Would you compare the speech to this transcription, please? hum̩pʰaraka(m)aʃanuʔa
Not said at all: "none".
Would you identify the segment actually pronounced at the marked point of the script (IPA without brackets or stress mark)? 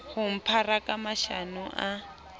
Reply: m